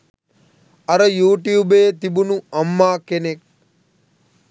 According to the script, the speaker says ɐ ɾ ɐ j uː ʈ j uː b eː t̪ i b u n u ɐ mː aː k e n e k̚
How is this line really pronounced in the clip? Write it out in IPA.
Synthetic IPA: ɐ ɾ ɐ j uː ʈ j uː b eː t̪ i b u n u ɐ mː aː k e n e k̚